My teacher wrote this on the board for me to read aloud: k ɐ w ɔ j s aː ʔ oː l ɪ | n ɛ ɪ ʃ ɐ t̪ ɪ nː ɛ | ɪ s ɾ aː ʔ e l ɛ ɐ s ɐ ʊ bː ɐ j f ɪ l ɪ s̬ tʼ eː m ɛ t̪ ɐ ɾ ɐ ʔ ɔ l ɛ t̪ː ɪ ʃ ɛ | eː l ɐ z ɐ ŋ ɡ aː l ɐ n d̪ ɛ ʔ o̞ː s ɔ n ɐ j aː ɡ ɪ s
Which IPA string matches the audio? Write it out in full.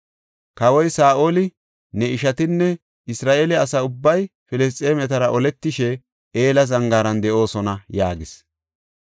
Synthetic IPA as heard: k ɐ w ɔ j s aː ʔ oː l ɪ | n ɛ ɪ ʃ ɐ t̪ ɪ nː ɛ | ɪ s ɾ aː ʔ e l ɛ ɐ s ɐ ʊ bː ɐ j f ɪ l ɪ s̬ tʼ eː m ɛ t̪ ɐ ɾ ɐ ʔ ɔ l ɛ t̪ː ɪ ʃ ɛ | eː l ɐ z ɐ ŋ ɡ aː ɾ ɐ n d̪ ɛ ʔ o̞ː s ɔ n ɐ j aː ɡ ɪ s